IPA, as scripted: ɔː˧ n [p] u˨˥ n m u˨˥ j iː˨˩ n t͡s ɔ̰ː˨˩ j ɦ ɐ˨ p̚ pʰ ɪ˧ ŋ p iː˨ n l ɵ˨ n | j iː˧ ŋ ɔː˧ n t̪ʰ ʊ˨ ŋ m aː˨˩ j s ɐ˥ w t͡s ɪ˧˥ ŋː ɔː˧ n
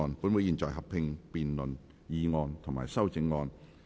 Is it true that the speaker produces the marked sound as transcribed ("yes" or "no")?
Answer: yes